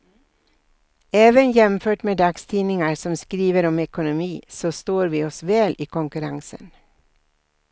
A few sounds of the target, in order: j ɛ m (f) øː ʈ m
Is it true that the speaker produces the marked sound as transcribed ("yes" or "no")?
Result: yes